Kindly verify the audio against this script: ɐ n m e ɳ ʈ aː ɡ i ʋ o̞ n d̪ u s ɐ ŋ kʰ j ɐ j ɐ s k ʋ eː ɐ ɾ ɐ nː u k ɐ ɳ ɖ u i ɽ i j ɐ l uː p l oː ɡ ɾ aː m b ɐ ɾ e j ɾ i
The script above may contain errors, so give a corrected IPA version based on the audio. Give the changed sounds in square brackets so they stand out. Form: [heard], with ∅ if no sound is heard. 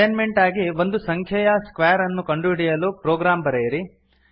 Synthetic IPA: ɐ n m e ɳ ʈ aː ɡ i ʋ o̞ n d̪ u s ɐ ŋ kʰ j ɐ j ɐ s k ʋ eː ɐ ɾ ɐ nː u k ɐ ɳ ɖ u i ɽ i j ɐ l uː p [ɾ] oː ɡ ɾ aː m b ɐ ɾ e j ɾ i